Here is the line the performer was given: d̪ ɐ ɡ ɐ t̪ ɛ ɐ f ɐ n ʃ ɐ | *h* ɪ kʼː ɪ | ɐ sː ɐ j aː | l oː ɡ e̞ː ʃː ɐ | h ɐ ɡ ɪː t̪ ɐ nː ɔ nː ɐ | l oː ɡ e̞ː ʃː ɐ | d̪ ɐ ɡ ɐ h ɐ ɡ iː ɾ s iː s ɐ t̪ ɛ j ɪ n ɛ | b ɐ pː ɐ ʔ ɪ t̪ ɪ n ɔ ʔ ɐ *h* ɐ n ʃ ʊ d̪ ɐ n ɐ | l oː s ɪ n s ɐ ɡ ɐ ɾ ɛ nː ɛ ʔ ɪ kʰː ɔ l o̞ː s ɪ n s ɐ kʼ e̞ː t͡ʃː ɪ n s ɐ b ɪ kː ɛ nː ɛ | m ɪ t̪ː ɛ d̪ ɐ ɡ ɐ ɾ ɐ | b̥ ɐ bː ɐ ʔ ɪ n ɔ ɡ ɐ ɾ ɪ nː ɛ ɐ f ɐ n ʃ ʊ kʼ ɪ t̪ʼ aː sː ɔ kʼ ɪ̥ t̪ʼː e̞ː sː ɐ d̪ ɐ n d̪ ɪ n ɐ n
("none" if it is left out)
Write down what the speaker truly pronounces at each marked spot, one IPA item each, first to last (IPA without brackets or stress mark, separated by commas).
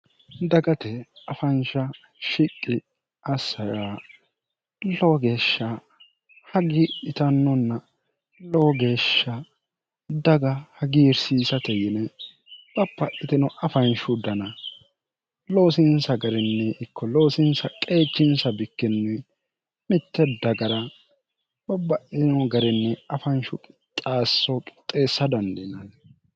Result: ʃ, f